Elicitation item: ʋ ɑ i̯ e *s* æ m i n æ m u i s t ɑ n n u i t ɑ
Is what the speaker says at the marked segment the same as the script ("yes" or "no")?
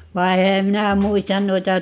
no